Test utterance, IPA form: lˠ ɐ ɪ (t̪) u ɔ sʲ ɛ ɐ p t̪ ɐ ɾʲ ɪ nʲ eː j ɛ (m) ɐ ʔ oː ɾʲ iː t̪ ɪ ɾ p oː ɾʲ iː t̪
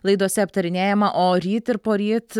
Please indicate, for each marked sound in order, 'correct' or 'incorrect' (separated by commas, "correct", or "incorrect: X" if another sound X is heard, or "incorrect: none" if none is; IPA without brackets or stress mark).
incorrect: d̪, correct